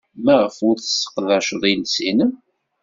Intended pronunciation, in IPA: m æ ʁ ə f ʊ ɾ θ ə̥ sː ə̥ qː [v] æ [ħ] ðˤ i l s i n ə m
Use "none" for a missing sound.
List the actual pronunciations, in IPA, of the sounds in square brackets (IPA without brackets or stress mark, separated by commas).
ð, ʃ